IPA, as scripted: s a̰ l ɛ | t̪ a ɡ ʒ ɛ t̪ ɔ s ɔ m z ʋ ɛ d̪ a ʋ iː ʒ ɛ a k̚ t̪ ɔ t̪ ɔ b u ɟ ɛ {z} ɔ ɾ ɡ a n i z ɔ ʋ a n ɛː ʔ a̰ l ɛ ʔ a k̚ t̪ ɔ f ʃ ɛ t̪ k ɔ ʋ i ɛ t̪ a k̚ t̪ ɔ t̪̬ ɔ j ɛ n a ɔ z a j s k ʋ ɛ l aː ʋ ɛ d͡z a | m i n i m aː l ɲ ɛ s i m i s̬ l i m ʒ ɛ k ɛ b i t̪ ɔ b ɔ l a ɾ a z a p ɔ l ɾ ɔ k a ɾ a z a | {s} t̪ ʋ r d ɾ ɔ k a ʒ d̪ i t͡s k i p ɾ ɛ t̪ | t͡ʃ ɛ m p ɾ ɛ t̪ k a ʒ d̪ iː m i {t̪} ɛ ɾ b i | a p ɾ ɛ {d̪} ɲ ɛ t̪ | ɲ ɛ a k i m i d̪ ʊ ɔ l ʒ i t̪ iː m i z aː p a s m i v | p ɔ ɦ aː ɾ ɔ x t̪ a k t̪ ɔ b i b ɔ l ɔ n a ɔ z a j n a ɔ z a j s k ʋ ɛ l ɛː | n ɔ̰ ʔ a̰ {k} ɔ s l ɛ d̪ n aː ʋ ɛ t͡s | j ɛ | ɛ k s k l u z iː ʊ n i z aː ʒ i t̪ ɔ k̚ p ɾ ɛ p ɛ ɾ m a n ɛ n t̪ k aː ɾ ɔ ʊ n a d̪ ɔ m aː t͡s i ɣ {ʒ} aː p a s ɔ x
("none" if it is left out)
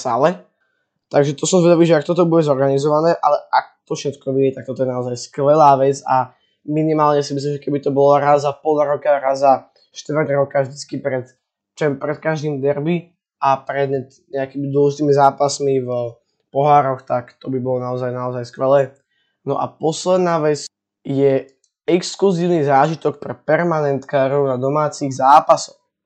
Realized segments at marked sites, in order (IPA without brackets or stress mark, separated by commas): z, ʃ, d̪, d̪, p, z